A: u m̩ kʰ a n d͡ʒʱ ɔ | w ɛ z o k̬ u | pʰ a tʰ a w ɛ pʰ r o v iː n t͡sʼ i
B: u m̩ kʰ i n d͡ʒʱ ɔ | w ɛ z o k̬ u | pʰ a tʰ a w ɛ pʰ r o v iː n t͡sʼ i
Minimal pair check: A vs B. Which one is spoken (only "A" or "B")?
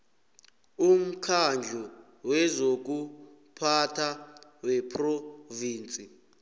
A